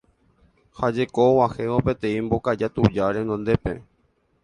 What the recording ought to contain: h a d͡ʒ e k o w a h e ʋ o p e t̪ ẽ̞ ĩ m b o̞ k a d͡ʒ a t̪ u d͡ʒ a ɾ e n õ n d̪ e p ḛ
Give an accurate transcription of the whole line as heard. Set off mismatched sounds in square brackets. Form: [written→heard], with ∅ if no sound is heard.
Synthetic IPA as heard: h a d͡ʒ e k o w a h e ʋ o p e t̪ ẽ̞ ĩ m b o̞ k a d͡ʒ a t̪ u d͡ʒ a ɾ e n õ n d̪ e p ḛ

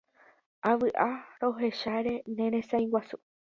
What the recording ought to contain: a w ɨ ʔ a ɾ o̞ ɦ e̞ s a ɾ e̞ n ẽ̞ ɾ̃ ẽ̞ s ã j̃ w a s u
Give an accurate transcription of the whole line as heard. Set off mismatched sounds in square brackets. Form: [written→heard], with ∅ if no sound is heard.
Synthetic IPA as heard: a [w→ʋ] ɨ ʔ a ɾ o̞ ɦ e̞ [s→ʃ] a ɾ e̞ n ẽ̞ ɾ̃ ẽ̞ s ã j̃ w a s u

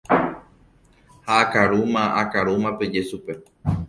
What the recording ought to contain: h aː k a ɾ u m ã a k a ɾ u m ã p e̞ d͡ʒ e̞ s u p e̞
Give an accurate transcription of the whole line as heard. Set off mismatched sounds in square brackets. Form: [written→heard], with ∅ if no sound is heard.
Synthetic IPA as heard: h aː k a ɾ u m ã a k a ɾ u m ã p e̞ d͡ʒ e̞ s u p e̞

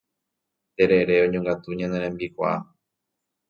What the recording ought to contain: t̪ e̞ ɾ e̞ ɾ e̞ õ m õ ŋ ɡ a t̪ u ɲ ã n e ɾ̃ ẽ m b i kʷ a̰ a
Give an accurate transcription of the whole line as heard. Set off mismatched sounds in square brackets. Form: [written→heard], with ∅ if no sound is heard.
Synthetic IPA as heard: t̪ e̞ ɾ e̞ ɾ e̞ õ [m→ɲ] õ ŋ ɡ a t̪ u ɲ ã n e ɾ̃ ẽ m b i kʷ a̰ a

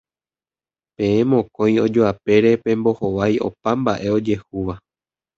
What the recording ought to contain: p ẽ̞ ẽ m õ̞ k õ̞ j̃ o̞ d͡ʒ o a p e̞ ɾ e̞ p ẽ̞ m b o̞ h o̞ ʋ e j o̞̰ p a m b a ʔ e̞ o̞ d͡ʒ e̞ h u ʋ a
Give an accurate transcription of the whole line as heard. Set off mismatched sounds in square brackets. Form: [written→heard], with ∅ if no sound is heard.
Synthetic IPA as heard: p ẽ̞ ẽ m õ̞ k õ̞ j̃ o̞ d͡ʒ o a p e̞ ɾ e̞ p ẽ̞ m b o̞ h o̞ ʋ [e→a] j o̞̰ p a m b a ʔ e̞ o̞ d͡ʒ e̞ h u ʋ a

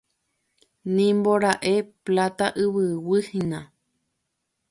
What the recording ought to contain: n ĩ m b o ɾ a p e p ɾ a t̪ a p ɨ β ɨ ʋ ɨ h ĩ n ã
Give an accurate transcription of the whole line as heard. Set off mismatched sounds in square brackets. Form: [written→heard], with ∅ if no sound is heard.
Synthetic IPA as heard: n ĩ m b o ɾ a [p→ʔ] e p [ɾ→l] a t̪ a [p→ʔ] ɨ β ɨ [ʋ→w] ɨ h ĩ n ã

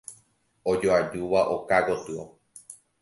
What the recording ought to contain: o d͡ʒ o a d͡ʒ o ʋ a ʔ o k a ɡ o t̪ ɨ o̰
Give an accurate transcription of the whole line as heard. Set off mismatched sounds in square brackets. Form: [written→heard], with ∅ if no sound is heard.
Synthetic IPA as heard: o d͡ʒ o a d͡ʒ [o→u] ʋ a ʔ o k a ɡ o t̪ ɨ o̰

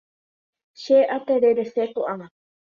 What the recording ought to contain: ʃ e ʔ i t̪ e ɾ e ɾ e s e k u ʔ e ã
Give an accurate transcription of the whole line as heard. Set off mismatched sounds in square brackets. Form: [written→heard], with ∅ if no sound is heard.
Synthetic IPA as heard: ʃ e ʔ [i→a] t̪ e ɾ e ɾ e s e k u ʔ [e→a] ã

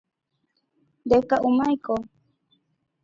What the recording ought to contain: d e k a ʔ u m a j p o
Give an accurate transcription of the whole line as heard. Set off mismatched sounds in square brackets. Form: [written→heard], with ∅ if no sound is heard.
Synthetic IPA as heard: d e k a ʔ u m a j [p→k] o

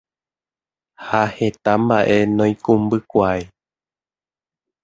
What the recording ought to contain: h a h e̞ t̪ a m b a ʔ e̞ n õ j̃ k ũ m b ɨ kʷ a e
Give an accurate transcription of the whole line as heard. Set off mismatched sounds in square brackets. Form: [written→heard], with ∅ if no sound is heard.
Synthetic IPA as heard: h a h e̞ t̪ a m b a ʔ e̞ n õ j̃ k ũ m b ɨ kʷ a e

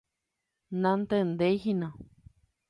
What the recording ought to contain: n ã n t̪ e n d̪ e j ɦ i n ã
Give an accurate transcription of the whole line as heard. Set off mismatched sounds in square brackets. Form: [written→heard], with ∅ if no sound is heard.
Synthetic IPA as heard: n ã n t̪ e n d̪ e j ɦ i n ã

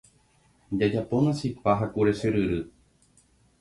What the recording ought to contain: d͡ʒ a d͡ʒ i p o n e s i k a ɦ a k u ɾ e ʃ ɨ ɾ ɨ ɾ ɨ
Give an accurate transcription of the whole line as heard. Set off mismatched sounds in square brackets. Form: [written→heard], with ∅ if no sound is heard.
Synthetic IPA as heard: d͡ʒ a d͡ʒ [i→a] p o n [e→a] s i [k→p] a ɦ a k u ɾ e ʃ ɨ ɾ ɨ ɾ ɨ

